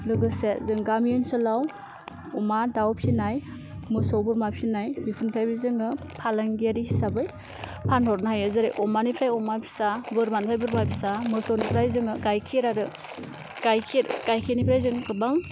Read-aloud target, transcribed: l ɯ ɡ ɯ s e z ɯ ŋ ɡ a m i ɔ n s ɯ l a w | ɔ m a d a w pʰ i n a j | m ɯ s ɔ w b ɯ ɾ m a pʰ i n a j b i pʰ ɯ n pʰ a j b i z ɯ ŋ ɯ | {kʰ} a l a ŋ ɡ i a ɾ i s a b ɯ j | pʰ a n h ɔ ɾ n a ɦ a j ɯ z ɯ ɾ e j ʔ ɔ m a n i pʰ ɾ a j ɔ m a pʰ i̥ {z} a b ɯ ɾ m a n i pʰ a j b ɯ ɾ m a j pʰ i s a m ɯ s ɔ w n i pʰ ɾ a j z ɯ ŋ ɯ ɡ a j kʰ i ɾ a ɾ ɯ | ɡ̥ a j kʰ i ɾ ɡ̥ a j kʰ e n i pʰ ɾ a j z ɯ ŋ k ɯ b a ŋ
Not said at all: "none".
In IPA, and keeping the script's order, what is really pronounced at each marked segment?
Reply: pʰ, s

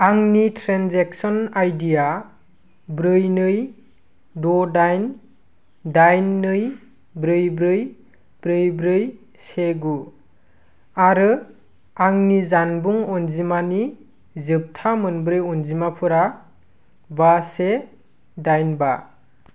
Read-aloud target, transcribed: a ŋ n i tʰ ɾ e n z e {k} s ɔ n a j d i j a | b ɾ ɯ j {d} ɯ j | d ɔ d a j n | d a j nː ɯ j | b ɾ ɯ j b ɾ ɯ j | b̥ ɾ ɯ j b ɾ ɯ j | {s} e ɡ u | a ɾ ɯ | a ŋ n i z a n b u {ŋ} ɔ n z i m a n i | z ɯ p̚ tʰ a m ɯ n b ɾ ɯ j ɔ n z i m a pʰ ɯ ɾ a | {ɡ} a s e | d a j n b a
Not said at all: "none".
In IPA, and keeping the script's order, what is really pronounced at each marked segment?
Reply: k, n, s, ŋ, b

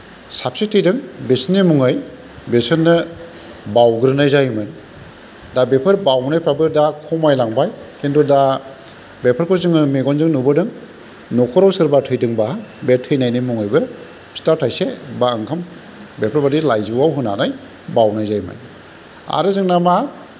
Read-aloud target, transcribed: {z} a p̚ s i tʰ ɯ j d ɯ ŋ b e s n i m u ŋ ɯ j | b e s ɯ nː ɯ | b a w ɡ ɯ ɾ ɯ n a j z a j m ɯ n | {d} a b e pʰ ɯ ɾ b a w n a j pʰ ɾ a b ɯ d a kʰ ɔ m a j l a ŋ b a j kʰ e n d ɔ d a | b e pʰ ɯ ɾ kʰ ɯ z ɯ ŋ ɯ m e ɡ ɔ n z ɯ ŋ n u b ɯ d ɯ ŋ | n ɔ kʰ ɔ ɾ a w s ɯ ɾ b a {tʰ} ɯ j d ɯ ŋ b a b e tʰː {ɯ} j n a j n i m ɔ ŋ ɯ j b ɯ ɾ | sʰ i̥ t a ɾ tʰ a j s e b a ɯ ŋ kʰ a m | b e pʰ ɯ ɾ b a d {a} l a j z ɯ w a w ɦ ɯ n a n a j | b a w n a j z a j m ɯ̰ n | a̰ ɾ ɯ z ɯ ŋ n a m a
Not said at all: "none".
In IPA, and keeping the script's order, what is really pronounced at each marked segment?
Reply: s, d, tʰ, ɯ, i

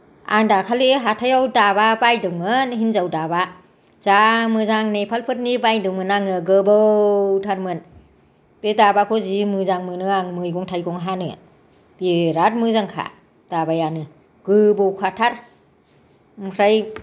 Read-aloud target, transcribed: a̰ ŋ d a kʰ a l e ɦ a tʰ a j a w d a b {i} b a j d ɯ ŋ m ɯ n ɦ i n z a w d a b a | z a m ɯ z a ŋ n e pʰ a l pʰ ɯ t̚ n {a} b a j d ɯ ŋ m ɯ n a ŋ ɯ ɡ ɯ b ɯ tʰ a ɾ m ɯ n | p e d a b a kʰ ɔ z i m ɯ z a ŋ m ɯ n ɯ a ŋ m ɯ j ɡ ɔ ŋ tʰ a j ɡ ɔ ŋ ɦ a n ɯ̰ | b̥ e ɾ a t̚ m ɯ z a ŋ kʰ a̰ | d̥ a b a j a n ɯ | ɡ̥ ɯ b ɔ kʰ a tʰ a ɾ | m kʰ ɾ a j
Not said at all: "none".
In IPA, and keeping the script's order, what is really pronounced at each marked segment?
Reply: a, i

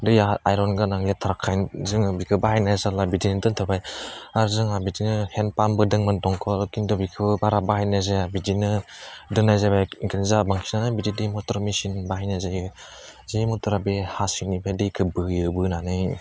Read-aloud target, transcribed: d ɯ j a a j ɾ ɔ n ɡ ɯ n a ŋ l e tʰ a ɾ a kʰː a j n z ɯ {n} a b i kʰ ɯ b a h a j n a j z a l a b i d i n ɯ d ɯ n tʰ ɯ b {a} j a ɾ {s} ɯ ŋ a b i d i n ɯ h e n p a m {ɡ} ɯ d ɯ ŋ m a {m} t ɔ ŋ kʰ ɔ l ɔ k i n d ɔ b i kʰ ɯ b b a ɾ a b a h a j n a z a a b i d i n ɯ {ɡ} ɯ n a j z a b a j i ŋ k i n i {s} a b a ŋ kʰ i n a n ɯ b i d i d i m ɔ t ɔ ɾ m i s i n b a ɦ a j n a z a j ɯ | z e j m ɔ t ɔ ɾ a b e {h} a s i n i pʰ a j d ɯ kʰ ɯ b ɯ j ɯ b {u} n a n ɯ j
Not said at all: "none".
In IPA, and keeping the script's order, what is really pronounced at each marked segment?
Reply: ŋ, a, z, b, n, d, z, h, ɯ

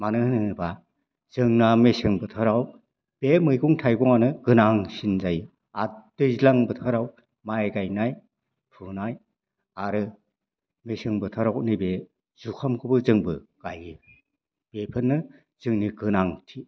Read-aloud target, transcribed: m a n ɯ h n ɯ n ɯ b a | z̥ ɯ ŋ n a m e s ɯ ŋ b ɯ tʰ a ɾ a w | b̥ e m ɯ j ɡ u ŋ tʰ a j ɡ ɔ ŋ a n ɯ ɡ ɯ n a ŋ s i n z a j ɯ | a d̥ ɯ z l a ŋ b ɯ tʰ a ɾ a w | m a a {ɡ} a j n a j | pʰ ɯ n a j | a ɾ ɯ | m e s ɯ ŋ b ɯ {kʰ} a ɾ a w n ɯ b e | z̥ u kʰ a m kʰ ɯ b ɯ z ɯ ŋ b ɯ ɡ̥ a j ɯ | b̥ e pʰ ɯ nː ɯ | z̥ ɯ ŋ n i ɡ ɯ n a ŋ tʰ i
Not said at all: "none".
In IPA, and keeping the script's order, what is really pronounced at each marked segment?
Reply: ɡ, tʰ

